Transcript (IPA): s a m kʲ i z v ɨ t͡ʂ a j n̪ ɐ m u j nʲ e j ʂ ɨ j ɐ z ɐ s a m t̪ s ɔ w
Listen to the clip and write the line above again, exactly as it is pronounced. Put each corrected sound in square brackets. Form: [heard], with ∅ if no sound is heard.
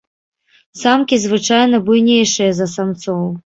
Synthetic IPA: s a m kʲ i z v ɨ t͡ʂ a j n̪ ɐ [b] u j nʲ e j ʂ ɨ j ɐ z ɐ s a m t̪ s ɔ w